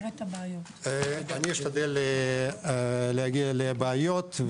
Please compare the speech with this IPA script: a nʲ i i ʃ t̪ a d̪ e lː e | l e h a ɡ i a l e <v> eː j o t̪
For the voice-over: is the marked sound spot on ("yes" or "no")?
no